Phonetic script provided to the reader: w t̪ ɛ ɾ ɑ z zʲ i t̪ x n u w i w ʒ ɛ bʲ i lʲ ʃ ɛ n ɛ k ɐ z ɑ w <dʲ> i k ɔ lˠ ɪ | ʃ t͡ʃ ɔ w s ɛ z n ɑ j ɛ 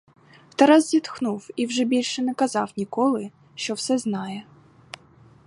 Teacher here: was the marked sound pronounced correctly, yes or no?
no